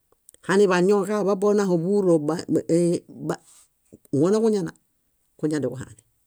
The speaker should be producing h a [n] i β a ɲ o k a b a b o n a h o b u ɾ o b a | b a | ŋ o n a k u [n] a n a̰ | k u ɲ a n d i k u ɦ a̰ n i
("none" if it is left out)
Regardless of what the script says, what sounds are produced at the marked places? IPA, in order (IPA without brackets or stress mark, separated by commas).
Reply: n, ɲ